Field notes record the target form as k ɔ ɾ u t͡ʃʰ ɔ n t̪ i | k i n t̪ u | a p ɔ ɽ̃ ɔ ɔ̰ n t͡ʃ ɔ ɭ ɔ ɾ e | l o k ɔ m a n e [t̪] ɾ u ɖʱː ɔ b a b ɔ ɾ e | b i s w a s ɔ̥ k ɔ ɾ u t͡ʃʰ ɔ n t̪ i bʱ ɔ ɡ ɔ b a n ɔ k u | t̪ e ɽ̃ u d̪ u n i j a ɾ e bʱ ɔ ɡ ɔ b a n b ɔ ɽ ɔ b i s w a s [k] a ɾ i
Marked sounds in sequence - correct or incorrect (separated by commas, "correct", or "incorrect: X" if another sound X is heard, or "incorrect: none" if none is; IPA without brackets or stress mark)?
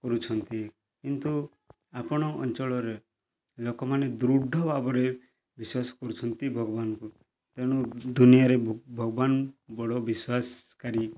incorrect: d̪, correct